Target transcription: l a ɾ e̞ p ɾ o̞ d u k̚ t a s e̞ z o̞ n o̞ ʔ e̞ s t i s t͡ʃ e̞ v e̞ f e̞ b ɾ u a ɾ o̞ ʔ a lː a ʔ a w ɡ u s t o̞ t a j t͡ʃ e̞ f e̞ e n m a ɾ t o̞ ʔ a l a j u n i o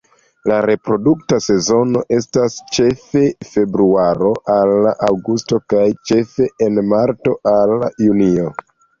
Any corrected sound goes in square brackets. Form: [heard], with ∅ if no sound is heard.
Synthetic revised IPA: l a ɾ e̞ p ɾ o̞ d u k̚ t a s e̞ z o̞ n o̞ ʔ e̞ s t [a] s t͡ʃ e̞ [f] e̞ f e̞ b ɾ u a ɾ o̞ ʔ a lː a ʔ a w ɡ u s t o̞ [k] a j t͡ʃ e̞ f e̞ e n m a ɾ t o̞ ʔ a l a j u n i o

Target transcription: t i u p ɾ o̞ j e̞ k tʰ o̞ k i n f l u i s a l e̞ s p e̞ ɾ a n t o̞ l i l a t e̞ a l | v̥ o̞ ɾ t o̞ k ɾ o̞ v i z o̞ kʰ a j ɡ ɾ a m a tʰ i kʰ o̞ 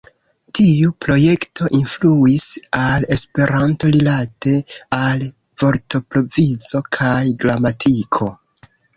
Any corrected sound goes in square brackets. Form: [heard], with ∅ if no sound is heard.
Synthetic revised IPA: t i u p ɾ o̞ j e̞ k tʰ o̞ [ʔ] i n f l u i s a l e̞ s p e̞ ɾ a n t o̞ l i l a t e̞ a l | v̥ o̞ ɾ t o̞ [p] ɾ o̞ v i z o̞ kʰ a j ɡ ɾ a m a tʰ i kʰ o̞

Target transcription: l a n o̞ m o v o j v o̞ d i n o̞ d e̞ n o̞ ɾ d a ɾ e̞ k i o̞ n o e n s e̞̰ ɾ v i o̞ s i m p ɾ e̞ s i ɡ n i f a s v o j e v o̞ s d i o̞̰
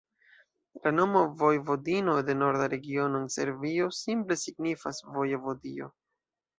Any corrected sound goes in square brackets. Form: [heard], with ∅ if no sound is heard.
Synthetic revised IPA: l a n o̞ m o v o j v o̞ d i n o̞ d e̞ n o̞ ɾ d a ɾ e̞ [ɡ] i o̞ n o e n s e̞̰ ɾ v i o̞ s i m p [l] e̞ s i ɡ n i f a s v o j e v o̞ [∅] d i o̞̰

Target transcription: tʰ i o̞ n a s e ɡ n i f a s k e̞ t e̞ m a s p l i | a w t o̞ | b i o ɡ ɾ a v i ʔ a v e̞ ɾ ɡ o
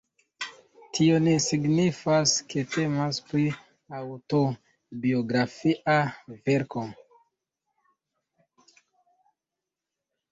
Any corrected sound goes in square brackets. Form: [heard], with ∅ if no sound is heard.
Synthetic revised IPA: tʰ i o̞ n [e] s [i] ɡ n i f a s k e̞ t e̞ m a s p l i | a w t o̞ | b i o ɡ ɾ a [f] i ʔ a v e̞ ɾ [k] o

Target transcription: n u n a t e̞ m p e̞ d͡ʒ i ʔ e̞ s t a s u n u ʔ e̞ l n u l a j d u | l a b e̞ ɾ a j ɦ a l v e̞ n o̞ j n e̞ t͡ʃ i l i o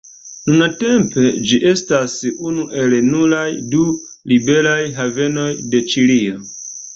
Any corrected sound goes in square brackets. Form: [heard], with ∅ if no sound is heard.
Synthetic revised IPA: n u n a t e̞ m p e̞ d͡ʒ i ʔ e̞ s t a s u n u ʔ e̞ l n u l a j d u | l [i] b e̞ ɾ a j ɦ a [∅] v e̞ n o̞ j [d] e̞ t͡ʃ i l i o

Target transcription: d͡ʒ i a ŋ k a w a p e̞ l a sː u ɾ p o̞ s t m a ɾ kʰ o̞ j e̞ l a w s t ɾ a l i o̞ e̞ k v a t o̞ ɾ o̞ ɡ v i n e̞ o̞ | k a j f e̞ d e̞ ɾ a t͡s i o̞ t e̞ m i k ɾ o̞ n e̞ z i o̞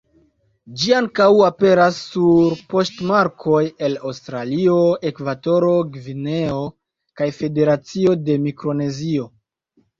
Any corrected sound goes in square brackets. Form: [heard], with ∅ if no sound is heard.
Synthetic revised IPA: d͡ʒ i a ŋ k a w a p e̞ [ɾ] a sː u ɾ p o̞ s t m a ɾ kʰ o̞ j e̞ l a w s t ɾ a l i o̞ e̞ k v a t o̞ ɾ o̞ ɡ v i n e̞ o̞ | k a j f e̞ d e̞ ɾ a t͡s i o̞ [d] e̞ m i k ɾ o̞ n e̞ z i o̞

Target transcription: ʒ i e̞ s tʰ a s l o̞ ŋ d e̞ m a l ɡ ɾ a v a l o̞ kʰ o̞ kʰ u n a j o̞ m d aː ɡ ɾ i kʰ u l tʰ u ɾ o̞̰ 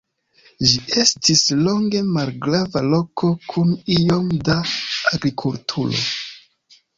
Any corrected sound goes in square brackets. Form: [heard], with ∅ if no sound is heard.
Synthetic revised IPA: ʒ i e̞ s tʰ [i] s l o̞ ŋ [ɡ] e̞ m a l ɡ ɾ a v a l o̞ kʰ o̞ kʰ u n [i] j o̞ m d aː ɡ ɾ i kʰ u l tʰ u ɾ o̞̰

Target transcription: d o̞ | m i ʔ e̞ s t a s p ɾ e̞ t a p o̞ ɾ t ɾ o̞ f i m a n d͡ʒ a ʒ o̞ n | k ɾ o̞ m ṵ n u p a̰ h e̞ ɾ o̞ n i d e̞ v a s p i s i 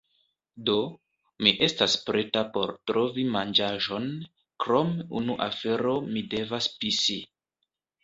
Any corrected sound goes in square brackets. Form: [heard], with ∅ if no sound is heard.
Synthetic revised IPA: d o̞ | m i ʔ e̞ s t a s p ɾ e̞ t a p o̞ ɾ t ɾ o̞ [v] i m a n d͡ʒ a ʒ o̞ n | k ɾ o̞ m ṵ n u [ʔ] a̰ [f] e̞ ɾ o̞ [m] i d e̞ v a s p i s i

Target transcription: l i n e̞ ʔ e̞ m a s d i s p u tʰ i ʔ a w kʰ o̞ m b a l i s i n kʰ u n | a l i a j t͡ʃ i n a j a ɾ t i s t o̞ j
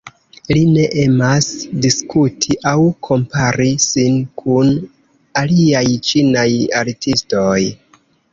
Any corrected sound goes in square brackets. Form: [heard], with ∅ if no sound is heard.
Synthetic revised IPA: l i n e̞ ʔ e̞ m a s d i s [k] u tʰ i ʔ a w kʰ o̞ m [p] a [ɾ] i s i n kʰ u n | a l i a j t͡ʃ i n a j a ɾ t i s t o̞ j

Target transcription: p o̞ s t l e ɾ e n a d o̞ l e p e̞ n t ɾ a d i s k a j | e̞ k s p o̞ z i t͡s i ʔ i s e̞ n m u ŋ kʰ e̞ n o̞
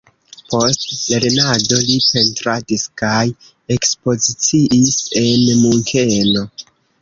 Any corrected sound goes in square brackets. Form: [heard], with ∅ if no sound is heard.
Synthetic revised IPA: p o̞ s t l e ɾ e n a d o̞ l [i] p e̞ n t ɾ a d i s k a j | e̞ k s p o̞ z i t͡s i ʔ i s e̞ n m u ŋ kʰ e̞ n o̞

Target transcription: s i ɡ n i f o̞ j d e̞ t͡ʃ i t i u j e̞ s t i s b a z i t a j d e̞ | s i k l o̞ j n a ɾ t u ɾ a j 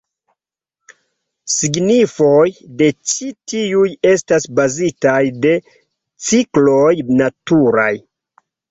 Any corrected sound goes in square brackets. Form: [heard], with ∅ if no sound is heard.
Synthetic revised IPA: s i ɡ n i f o̞ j d e̞ t͡ʃ i t i u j e̞ s t [a] s b a z i t a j d e̞ | [t͡s] i k l o̞ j n a [∅] t u ɾ a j

